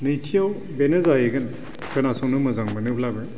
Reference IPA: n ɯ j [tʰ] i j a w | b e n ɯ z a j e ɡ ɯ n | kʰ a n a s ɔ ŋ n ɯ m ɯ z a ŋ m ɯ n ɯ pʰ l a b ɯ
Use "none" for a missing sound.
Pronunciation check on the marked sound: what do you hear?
tʰ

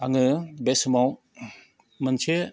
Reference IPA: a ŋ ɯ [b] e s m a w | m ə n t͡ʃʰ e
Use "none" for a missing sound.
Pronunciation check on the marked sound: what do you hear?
b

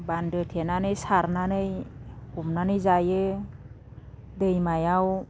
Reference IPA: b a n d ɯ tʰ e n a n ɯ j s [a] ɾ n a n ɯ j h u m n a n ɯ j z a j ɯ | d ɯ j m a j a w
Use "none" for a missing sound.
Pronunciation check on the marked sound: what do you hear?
a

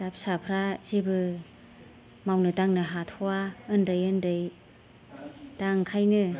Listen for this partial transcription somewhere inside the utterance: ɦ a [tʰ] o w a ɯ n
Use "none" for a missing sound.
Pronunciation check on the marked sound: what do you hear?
tʰ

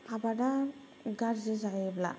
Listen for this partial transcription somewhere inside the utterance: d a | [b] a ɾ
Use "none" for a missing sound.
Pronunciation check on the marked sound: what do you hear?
ɡ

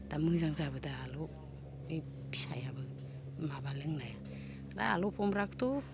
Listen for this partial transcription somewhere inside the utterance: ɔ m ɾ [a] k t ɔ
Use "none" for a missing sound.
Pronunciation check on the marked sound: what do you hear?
a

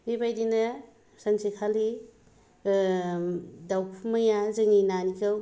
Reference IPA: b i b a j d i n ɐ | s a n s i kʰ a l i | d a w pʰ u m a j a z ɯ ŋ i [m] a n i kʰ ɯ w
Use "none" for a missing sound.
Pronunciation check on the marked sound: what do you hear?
n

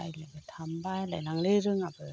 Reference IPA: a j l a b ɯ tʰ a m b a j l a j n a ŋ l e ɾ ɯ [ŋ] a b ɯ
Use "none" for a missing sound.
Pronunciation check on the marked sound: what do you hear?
ŋ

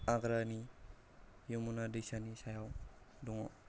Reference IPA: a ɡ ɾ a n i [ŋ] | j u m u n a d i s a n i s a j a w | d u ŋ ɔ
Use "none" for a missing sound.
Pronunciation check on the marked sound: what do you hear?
none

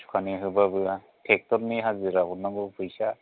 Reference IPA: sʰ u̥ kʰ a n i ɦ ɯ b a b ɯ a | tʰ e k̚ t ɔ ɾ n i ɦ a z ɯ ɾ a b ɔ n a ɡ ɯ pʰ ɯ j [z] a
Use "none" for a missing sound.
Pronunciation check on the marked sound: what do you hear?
s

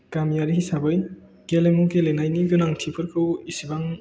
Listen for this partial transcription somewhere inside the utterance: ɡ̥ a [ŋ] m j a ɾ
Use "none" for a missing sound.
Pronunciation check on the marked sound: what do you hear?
none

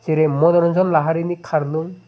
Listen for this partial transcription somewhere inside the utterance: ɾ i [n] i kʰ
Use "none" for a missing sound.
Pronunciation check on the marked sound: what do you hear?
n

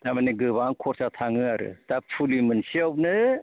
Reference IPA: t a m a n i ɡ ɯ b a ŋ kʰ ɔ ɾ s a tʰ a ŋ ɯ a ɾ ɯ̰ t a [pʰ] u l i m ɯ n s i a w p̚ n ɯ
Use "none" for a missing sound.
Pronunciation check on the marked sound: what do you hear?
pʰ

